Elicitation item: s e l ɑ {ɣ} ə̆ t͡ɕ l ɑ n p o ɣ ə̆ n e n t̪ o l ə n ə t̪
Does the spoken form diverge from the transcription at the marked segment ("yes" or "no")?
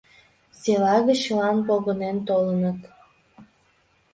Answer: no